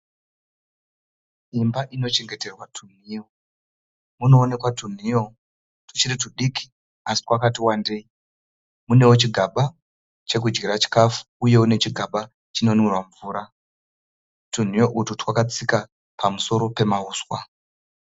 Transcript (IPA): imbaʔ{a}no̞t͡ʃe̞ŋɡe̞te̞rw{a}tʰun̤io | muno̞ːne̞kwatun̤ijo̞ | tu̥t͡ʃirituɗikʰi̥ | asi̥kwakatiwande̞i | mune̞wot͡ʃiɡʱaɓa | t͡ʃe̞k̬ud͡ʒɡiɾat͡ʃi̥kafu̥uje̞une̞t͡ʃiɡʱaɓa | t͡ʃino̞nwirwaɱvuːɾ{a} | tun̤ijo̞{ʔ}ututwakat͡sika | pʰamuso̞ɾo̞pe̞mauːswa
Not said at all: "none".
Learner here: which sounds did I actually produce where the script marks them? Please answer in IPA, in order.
i, a, a, ʔ

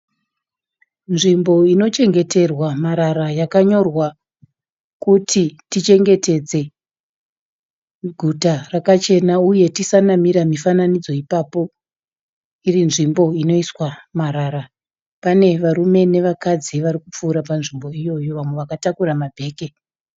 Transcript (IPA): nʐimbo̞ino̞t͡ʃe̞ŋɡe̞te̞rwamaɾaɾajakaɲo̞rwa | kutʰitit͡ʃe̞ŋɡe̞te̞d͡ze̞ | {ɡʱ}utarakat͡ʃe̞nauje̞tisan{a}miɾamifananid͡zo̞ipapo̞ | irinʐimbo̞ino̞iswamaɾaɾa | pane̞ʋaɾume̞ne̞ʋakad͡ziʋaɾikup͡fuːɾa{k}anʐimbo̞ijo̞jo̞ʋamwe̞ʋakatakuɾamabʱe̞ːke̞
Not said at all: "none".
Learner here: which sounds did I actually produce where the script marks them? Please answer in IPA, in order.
ɡʱ, a, p

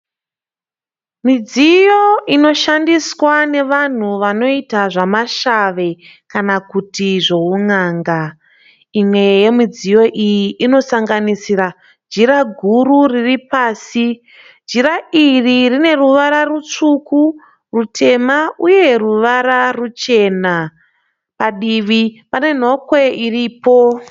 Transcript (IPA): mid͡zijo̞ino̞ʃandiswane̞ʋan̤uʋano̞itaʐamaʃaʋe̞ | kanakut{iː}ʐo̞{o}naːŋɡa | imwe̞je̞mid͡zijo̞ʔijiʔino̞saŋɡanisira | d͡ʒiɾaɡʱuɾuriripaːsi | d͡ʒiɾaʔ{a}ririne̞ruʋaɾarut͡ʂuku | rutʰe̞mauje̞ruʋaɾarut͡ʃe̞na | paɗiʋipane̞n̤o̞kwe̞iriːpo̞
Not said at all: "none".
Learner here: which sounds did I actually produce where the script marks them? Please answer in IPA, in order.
i, u, i

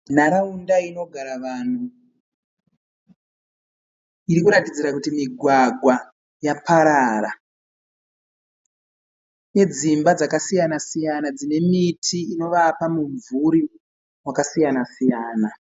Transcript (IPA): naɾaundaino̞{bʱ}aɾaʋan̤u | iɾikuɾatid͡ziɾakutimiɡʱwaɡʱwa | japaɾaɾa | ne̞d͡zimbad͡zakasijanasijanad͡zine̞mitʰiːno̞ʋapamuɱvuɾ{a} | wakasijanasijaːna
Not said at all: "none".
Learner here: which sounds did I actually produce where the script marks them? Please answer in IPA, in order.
ɡʱ, i

